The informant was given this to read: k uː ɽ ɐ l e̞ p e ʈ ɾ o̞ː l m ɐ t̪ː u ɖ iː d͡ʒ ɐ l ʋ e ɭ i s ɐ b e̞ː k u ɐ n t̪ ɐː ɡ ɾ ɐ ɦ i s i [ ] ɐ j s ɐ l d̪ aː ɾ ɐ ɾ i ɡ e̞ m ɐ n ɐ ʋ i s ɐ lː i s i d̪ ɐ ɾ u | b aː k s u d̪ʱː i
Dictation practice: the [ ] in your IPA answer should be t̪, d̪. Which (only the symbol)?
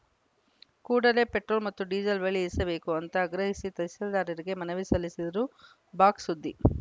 t̪